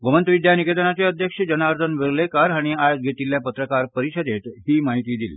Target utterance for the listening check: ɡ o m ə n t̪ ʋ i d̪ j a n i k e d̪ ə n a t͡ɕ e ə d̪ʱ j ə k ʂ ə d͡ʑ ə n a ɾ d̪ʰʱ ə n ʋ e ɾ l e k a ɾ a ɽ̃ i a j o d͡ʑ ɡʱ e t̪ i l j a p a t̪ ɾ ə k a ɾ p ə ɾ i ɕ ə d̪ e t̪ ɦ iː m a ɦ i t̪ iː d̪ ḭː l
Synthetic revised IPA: ɡ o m ə n t̪ ʋ i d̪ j a n i k e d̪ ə n a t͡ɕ e ə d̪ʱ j ə k ʂ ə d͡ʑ ə n a ɾ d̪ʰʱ ə n ʋ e ɾ l e k a ɾ a ɽ̃ i a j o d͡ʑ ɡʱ e t̪ i l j a p ə t̪ ɾ ə k a ɾ p ə ɾ i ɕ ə d̪ e t̪ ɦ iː m a ɦ i t̪ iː d̪ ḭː l